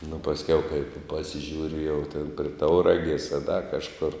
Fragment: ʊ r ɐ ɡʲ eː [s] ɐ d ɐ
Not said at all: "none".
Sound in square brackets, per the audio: s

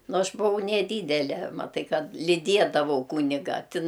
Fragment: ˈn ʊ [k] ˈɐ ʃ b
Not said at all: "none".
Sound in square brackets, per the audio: none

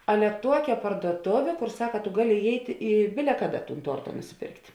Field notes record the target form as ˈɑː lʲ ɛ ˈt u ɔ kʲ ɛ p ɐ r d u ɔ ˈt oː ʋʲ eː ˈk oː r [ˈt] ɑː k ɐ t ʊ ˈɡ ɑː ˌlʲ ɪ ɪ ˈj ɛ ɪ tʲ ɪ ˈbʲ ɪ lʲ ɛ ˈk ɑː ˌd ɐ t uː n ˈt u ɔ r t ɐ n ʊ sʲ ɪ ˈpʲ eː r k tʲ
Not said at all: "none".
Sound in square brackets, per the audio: s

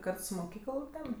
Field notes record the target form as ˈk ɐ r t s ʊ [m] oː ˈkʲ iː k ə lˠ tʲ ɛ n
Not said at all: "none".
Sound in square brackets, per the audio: m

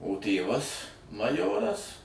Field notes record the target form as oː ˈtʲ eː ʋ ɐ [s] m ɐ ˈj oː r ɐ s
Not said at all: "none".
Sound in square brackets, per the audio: s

